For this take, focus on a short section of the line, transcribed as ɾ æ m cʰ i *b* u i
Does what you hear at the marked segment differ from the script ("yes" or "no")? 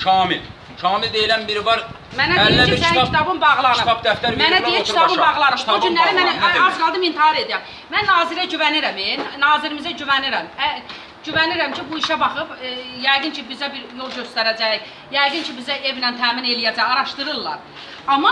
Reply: no